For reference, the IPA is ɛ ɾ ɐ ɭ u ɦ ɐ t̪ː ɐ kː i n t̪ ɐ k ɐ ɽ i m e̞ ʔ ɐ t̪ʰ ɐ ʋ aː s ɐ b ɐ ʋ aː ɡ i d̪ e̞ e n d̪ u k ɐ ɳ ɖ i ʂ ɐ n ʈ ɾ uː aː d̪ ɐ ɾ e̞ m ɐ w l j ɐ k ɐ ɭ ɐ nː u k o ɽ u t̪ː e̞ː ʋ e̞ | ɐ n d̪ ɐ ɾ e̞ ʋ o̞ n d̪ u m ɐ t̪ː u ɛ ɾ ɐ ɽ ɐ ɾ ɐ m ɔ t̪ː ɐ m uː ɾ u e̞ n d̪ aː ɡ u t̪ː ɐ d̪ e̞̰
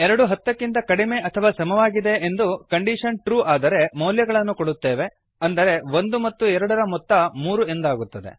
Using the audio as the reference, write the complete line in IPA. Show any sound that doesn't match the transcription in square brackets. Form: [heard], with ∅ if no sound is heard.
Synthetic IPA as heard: ɛ ɾ ɐ [ɽ] u ɦ ɐ t̪ː ɐ kː i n t̪ ɐ k ɐ ɽ i m e̞ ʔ ɐ t̪ʰ ɐ ʋ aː s ɐ [m] ɐ ʋ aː ɡ i d̪ e̞ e n d̪ u k ɐ ɳ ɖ i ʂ ɐ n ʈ ɾ uː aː d̪ ɐ ɾ e̞ m ɐ w l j ɐ [ɡ] ɐ ɭ ɐ nː u k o ɽ u t̪ː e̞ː ʋ e̞ | ɐ n d̪ ɐ ɾ e̞ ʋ o̞ n d̪ u m ɐ t̪ː u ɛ ɾ ɐ ɽ ɐ ɾ ɐ m ɔ t̪ː ɐ m uː ɾ u e̞ n d̪ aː ɡ u t̪ː ɐ d̪ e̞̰